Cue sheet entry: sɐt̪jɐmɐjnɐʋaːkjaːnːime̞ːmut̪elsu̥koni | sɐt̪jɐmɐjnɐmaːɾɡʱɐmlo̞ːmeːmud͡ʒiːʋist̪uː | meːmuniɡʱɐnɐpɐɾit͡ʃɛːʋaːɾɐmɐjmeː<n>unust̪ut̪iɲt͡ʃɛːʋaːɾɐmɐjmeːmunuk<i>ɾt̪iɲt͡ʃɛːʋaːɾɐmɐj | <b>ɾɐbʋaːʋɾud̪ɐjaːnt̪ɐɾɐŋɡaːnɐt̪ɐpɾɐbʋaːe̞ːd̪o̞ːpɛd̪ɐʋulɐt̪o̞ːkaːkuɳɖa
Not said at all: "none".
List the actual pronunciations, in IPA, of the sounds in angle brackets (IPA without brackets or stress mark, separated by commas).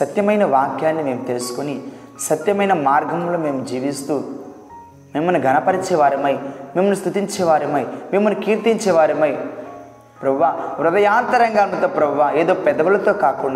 m, iː, p